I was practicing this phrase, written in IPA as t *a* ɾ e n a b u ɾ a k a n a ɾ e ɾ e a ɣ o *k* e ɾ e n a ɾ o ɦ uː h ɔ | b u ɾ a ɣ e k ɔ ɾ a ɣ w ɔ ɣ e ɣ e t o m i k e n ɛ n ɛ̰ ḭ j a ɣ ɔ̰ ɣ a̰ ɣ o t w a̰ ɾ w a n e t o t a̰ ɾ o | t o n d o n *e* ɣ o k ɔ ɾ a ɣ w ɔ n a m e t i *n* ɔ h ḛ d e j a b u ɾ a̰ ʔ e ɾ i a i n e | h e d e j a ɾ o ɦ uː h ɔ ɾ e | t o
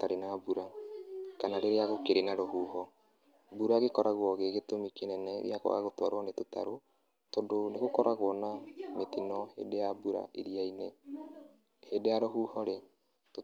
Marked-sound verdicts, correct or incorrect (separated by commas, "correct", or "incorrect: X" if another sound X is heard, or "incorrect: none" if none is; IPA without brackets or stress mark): correct, correct, correct, correct